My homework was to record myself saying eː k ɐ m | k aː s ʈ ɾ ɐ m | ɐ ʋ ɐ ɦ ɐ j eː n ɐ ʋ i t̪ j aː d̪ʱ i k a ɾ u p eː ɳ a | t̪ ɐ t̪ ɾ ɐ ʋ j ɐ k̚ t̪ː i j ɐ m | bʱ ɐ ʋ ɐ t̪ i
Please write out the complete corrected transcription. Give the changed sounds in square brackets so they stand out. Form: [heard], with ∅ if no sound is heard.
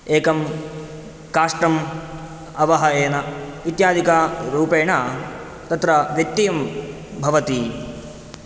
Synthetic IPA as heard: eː k ɐ m | k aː [ʂ] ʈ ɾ ɐ m | ɐ ʋ ɐ ɦ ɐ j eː n ɐ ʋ i t̪ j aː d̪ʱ i k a ɾ [uː] p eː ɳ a | t̪ ɐ t̪ ɾ ɐ ʋ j ɐ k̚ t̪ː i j ɐ m | bʱ ɐ ʋ ɐ t̪ i